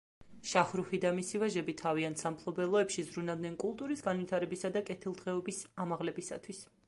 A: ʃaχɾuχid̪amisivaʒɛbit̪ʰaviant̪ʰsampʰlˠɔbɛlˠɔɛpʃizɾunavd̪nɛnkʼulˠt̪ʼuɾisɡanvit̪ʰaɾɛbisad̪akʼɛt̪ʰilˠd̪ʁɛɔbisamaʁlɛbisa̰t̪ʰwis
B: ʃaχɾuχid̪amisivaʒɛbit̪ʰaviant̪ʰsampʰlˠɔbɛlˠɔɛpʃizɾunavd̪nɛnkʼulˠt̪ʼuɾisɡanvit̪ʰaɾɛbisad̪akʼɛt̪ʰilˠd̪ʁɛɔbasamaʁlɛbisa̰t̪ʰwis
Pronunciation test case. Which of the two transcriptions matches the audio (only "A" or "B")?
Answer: A